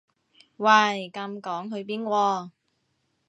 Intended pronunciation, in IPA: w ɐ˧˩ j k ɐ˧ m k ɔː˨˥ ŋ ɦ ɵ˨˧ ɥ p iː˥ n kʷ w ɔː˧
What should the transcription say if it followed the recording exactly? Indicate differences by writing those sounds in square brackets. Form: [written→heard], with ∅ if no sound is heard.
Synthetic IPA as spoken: w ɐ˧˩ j k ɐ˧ m k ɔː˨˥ ŋ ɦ ɵ˨˧ ɥ p iː˥ n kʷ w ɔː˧